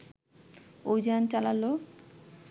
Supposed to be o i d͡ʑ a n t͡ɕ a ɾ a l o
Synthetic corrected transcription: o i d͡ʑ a n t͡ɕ a l a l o